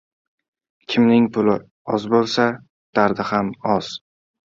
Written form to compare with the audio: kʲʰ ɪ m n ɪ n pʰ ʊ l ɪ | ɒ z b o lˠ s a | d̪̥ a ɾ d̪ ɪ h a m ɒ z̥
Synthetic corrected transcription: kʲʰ ɪ m n ɪ ŋ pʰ ʊ l ɪ | ɒ z b o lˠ s a | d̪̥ a ɾ d̪ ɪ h a m ɒ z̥

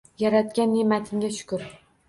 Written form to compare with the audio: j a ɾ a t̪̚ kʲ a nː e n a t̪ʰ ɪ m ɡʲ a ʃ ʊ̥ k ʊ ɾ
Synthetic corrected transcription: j a ɾ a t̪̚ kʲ a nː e m a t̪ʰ ɪ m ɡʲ a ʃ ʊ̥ k ʊ ɾ

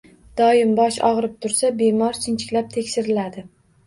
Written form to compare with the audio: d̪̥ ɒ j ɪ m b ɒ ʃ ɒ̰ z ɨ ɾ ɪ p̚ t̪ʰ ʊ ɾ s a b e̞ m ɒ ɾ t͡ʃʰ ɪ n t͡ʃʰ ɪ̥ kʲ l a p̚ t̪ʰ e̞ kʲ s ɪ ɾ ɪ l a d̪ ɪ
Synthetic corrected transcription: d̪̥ ɒ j ɪ m b ɒ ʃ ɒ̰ ʁ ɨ ɾ ɪ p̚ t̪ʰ ʊ ɾ s a b e̞ m ɒ ɾ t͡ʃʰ ɪ n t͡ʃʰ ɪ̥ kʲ l a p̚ t̪ʰ e̞ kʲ ʃ ɪ ɾ ɪ l a d̪ ɪ

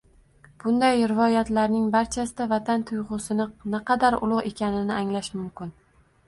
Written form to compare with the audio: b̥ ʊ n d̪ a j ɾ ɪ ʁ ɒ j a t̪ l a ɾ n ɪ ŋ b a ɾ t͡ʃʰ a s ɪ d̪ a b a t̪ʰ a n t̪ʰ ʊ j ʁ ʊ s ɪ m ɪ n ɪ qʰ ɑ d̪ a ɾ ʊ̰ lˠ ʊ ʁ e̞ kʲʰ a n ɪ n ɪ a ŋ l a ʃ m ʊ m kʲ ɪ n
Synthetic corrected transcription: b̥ ʊ n d̪ a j ɾ ɪ v ɒ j a t̪ l a ɾ n ɪ ŋ b a ɾ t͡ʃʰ a s ɪ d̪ a v a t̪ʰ a n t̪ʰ ʊ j ʁ ʊ s ɪ n ɪ n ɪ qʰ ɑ d̪ a ɾ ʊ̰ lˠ ʊ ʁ e̞ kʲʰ a n ɪ n ɪ a ŋ l a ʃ m ʊ m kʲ ɪ n

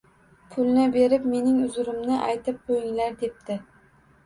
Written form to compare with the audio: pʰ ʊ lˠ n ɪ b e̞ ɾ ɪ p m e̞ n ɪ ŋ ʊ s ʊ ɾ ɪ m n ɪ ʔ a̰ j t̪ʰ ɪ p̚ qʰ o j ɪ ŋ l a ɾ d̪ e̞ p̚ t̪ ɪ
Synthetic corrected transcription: pʰ ʊ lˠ n ɪ b e̞ ɾ ɪ p m e̞ n ɪ ŋ ʊ z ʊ ɾ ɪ m n ɪ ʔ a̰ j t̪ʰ ɪ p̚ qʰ o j ɪ ŋ l a ɾ d̪ e̞ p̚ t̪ ɪ

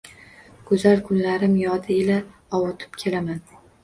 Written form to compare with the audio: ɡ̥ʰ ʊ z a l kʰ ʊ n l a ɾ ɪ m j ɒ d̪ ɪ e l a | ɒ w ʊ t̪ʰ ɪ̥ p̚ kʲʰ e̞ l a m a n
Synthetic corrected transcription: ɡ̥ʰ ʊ z a l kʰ ʊ n l a ɾ ɪ m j ɒ d̪ ɪ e l a | ɒ w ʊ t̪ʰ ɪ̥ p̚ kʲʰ e̞ l a m a n

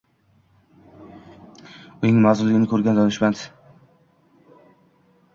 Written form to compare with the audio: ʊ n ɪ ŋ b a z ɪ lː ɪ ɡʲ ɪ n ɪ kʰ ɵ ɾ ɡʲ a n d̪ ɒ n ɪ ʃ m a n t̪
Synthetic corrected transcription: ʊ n ɪ ŋ m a z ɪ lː ɪ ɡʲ ɪ n ɪ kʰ ɵ ɾ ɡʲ a n d̪ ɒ n ɪ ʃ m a n t̪

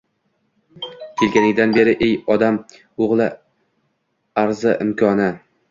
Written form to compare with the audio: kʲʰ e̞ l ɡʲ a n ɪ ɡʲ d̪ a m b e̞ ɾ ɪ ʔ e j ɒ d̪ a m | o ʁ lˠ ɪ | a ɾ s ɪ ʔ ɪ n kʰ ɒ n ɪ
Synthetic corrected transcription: kʲʰ e̞ l ɡʲ a n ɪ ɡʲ d̪ a n b e̞ ɾ ɪ ʔ e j ɒ d̪ a m | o ʁ lˠ ɪ | a ɾ z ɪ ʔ ɪ m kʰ ɒ n ɪ

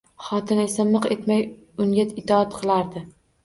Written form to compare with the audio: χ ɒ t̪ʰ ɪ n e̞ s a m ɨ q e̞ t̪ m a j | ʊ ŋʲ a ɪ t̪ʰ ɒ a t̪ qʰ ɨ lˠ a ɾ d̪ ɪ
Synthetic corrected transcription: χ ɒ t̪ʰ ɪ n e̞ s a m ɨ q e̞ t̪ m a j | ʊ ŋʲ a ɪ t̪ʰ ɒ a t̪ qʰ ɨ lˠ a ɾ d̪ ɪ

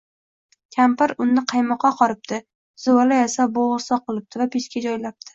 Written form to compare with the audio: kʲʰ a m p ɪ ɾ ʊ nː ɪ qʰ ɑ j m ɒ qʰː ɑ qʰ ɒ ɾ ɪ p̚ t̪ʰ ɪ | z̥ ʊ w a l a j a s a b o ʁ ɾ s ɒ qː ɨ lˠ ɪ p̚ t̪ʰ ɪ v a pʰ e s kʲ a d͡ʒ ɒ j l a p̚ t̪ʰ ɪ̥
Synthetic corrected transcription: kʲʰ a m p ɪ ɾ ʊ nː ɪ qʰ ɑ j m ɒ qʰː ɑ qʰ ɒ ɾ ɪ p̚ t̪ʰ ɪ | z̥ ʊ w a l a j a s a b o ʁ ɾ s ɒ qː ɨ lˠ ɪ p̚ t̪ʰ ɪ v a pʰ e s kʲ a d͡ʒ ɒ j l a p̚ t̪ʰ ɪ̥

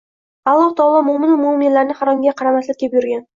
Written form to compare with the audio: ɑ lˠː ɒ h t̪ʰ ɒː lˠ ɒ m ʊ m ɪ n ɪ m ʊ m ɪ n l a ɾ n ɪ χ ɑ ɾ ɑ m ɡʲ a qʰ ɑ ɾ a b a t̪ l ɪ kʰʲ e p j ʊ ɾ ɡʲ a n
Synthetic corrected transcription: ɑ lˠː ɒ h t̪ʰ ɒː lˠ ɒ m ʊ m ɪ n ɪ m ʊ m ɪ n l a ɾ n ɪ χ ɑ ɾ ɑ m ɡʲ a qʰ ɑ ɾ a m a t̪ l ɪ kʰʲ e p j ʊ ɾ ɡʲ a n

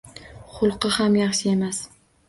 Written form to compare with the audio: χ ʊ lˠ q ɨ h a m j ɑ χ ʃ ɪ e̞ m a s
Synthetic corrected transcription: χ ʊ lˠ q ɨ h a m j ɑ χ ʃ ɪ e̞ m a s

